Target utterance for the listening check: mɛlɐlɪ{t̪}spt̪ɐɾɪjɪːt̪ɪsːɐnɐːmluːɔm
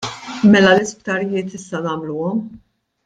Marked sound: incorrect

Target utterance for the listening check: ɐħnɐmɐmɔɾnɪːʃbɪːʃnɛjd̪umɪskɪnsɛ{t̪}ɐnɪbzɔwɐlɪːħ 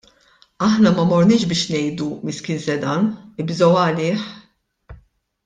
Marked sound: incorrect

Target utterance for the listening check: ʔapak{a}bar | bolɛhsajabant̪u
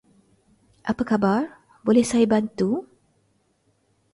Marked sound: correct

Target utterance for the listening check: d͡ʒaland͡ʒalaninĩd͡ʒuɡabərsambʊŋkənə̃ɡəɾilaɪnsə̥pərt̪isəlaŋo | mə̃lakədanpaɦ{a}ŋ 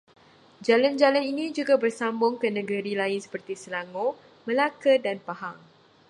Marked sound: correct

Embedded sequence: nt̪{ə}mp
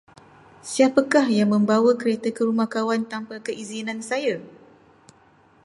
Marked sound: incorrect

